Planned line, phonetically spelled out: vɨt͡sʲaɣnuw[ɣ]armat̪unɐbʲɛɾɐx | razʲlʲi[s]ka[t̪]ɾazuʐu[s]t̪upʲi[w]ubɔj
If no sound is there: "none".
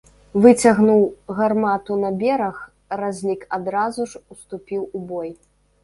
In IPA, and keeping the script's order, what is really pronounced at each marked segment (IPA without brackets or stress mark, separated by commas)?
ɣ, none, d̪, s, w